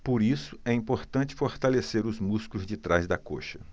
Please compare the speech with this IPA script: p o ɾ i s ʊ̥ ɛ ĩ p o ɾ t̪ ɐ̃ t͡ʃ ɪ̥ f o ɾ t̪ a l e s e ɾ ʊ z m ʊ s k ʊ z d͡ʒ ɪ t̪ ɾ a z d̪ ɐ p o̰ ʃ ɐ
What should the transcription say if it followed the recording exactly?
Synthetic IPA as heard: p o ɾ i s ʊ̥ ɛ ĩ p o ɾ t̪ ɐ̃ t͡ʃ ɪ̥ f o ɾ t̪ a l e s e ɾ ʊ z m u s k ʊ z d͡ʒ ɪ t̪ ɾ a z d̪ ɐ k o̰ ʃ ɐ